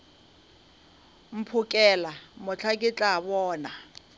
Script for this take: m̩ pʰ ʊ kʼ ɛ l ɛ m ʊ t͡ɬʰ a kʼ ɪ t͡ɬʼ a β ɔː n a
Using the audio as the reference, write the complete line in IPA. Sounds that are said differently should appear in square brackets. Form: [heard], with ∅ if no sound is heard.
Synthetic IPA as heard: m̩ pʰ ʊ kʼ ɛ l [a] m ʊ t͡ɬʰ a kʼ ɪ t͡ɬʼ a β ɔː n a